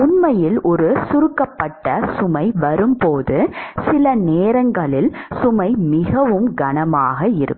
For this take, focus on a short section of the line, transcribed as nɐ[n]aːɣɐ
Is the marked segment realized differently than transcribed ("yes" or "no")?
yes